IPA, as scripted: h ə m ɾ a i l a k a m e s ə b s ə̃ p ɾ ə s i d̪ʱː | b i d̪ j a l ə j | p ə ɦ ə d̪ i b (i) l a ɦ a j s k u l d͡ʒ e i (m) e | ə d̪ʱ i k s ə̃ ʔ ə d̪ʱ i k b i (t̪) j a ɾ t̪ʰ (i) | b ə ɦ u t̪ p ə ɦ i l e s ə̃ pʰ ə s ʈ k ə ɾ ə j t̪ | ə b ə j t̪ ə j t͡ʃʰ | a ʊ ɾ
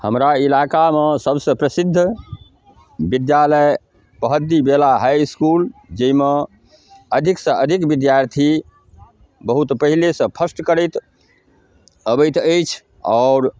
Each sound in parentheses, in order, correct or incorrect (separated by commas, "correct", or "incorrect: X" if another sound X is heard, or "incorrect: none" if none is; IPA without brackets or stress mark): incorrect: e, correct, incorrect: d̪, correct